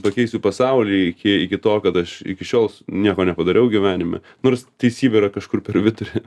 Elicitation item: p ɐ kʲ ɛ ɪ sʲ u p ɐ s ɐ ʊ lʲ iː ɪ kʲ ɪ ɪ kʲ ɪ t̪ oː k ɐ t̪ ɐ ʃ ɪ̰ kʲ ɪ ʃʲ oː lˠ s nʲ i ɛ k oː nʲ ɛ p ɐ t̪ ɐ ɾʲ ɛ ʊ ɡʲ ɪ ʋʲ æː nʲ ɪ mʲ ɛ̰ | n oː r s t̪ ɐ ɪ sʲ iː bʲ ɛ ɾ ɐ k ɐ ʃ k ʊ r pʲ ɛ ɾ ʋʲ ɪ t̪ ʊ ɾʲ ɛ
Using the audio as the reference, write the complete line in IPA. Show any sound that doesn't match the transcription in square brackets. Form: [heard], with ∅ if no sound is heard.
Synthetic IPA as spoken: p ɐ kʲ ɛ ɪ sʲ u p ɐ s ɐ ʊ lʲ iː ɪ kʲ ɪ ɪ kʲ ɪ t̪ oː k ɐ t̪ ɐ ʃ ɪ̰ kʲ ɪ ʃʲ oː lˠ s nʲ i ɛ k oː nʲ ɛ p ɐ [d̪] ɐ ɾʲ ɛ ʊ ɡʲ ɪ ʋʲ æː nʲ ɪ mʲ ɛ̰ | n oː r s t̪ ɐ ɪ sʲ iː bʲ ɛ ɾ ɐ k ɐ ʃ k ʊ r pʲ ɛ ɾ ʋʲ ɪ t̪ ʊ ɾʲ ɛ